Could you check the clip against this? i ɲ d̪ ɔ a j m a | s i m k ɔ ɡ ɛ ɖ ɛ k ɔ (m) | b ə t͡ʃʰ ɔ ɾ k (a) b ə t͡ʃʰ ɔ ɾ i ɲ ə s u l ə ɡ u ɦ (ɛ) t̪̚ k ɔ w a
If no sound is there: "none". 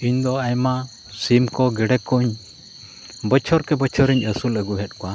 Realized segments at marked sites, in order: ɲ, ɛ, ɛ

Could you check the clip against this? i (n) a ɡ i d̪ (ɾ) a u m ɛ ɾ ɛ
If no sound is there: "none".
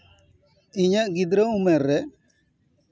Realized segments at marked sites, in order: ɲ, ɾ

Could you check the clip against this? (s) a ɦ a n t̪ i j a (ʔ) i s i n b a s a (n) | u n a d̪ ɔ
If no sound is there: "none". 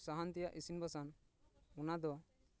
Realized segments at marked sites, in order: s, ʔ, n

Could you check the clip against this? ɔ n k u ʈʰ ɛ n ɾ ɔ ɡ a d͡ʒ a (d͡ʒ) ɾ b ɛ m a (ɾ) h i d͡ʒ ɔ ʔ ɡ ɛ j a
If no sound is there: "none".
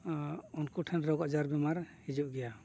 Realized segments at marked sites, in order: none, ɾ

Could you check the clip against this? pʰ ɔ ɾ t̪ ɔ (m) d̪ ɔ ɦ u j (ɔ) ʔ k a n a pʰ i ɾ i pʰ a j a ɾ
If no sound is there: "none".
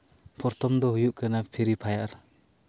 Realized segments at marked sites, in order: m, u

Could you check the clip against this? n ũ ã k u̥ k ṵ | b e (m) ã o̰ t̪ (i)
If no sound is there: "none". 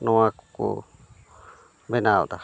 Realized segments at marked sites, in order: n, a

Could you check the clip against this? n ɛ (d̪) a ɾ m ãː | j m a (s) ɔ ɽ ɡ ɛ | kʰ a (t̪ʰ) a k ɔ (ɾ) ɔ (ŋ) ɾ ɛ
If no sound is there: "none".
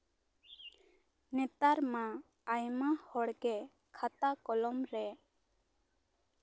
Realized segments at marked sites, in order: t̪, h, t̪, l, m

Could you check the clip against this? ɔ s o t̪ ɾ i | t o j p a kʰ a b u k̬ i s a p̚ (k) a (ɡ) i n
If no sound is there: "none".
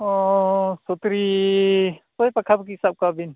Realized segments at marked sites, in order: k, b

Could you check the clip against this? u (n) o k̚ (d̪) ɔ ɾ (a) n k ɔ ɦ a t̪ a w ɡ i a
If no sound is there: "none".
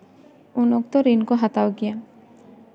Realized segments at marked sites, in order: n, t̪, i

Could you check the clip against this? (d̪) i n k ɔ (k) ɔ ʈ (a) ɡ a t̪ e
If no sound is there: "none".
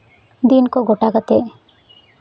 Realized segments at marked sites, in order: d̪, ɡ, a

